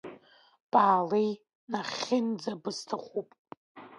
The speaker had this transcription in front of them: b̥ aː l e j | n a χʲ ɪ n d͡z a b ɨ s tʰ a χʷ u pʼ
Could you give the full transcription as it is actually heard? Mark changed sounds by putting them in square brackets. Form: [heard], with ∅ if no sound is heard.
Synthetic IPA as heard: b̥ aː l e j | n a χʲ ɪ n d͡z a b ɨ s tʰ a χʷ u pʼ